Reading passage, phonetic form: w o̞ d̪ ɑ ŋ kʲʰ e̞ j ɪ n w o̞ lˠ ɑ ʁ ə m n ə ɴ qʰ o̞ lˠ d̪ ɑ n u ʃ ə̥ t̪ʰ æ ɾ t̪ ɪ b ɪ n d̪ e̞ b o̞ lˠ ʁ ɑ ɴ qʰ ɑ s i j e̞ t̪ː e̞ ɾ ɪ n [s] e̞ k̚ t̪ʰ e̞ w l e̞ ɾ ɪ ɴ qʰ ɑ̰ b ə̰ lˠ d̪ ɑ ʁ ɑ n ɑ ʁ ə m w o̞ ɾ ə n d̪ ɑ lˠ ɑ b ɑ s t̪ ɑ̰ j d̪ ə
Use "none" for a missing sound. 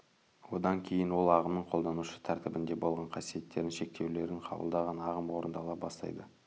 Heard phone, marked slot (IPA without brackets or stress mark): ʃ